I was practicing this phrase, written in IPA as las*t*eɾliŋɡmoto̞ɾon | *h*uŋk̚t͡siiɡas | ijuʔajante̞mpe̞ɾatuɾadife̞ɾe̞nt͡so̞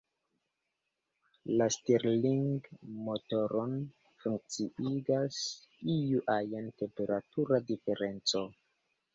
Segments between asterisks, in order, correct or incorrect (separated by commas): correct, incorrect